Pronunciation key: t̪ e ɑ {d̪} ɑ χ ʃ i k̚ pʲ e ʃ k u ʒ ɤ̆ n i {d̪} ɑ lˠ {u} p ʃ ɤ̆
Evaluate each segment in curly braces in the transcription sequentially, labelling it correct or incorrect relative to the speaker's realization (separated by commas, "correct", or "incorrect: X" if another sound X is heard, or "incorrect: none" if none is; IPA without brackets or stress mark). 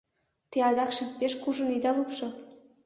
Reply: correct, correct, correct